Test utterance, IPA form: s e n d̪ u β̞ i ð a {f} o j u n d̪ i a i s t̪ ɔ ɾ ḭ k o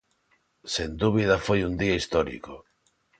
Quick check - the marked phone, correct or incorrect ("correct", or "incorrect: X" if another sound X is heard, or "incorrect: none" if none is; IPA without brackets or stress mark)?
correct